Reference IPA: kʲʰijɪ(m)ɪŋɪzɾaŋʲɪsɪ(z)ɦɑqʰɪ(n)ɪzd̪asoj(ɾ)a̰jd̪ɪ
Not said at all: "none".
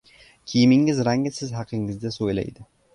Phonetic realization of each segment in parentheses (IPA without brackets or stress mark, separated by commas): m, z, ŋ, l